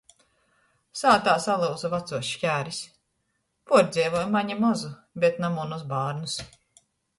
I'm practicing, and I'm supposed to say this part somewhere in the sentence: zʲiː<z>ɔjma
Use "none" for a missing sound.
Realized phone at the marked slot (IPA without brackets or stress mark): v